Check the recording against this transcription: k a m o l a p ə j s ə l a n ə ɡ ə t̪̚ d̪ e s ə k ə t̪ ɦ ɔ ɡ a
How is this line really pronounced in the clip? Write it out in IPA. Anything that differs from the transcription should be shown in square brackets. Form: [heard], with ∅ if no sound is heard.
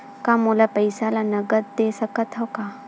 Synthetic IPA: k a m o l a p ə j s [a] l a n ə ɡ ə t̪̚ d̪ e s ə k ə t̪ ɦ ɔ [k] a